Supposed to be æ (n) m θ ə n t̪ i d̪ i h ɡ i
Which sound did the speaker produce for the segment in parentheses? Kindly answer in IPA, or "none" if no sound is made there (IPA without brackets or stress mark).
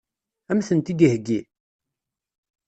none